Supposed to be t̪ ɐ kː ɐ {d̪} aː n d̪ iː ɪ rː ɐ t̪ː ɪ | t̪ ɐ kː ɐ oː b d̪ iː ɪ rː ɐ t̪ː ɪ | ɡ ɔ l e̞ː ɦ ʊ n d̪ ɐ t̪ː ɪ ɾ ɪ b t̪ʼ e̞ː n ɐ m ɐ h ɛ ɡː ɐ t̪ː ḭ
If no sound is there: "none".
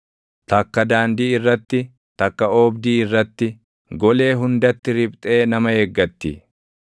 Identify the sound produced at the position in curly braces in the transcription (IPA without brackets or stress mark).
d̪